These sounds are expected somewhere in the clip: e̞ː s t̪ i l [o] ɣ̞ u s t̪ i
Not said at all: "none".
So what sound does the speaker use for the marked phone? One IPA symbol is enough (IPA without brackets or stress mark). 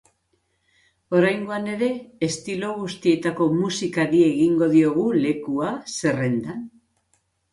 o